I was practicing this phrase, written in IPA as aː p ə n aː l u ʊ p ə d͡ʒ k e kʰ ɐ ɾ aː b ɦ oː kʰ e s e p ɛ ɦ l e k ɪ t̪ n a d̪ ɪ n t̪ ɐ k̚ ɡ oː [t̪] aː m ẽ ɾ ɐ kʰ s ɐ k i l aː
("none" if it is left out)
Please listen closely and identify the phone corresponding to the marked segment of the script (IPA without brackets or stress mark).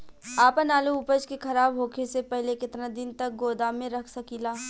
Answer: d̪